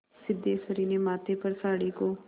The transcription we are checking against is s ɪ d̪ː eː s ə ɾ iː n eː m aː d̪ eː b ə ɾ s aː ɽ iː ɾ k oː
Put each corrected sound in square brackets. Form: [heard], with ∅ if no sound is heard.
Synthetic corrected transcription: s ɪ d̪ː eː s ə ɾ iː n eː m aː [t̪] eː [p] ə ɾ s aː ɽ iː [∅] k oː